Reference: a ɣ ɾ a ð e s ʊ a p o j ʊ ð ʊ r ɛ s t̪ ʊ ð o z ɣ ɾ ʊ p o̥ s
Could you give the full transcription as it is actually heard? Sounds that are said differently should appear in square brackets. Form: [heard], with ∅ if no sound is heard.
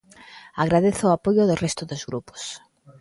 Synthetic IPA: a ɣ ɾ a ð e [θ] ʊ a p o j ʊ ð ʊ r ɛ s t̪ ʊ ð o z ɣ ɾ [u] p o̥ s